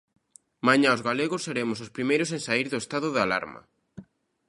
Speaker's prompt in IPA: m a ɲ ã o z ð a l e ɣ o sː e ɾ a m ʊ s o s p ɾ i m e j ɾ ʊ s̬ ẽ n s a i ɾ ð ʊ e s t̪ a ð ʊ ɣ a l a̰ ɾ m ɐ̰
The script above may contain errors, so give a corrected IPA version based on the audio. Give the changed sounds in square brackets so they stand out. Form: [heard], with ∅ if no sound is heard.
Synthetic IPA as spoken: m a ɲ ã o z [ɣ] a l e ɣ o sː e ɾ [e] m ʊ s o s p ɾ i m e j ɾ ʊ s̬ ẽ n s a i ɾ ð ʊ e s t̪ a ð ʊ [ð] a l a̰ ɾ m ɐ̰